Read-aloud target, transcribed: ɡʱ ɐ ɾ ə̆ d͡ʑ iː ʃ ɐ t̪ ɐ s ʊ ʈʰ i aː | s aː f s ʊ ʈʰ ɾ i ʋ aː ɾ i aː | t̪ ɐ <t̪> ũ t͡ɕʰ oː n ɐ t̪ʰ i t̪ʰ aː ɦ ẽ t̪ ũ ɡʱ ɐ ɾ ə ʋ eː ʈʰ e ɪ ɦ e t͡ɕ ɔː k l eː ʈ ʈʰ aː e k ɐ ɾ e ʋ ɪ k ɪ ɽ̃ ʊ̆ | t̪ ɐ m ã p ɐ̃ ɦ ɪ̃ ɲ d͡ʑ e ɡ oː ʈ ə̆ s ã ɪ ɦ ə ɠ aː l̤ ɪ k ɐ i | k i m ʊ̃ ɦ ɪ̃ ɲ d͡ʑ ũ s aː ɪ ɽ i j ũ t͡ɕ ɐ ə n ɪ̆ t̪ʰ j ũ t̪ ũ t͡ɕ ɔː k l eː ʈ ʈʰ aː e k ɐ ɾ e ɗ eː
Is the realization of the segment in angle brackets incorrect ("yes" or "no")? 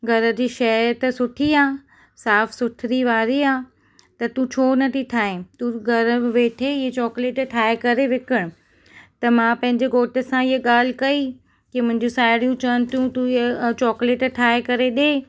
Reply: no